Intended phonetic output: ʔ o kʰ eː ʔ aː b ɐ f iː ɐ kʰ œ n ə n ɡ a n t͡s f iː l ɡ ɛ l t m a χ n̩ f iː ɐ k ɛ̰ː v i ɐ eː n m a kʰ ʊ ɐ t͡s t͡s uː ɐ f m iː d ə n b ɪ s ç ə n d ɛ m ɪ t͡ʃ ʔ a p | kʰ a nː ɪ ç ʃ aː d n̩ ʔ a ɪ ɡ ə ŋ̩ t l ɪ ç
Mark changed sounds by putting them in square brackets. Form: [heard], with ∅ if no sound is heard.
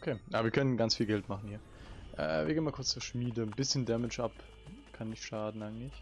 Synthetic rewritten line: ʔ o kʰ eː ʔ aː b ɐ [v] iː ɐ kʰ œ n ə n ɡ a n t͡s f iː l ɡ ɛ l t m a χ n̩ [h] iː ɐ [ʔ] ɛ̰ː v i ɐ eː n m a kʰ ʊ ɐ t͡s t͡s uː ɐ [ʃ] m iː d ə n b ɪ s ç ə n d ɛ m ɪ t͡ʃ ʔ a p | kʰ a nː ɪ ç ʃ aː d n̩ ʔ a ɪ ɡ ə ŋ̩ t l ɪ ç